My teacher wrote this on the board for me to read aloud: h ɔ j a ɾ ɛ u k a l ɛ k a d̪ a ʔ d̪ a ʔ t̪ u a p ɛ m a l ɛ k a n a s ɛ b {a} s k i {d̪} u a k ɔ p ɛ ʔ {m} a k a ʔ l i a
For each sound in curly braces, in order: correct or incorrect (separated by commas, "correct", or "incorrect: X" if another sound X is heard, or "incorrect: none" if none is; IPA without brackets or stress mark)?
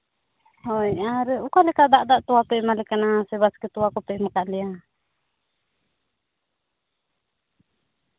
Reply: correct, incorrect: t̪, correct